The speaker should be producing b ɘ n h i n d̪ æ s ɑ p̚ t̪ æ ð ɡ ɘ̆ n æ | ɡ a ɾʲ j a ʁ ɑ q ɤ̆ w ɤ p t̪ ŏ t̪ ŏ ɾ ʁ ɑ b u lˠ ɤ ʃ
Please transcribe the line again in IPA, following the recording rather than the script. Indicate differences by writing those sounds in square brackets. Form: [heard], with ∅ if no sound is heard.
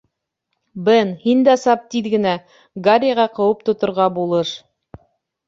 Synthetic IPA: b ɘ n h i n d̪ æ s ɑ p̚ t̪ [i] ð ɡ ɘ̆ n æ | ɡ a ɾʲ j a ʁ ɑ q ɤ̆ w ɤ p t̪ ŏ t̪ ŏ ɾ ʁ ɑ b u lˠ ɤ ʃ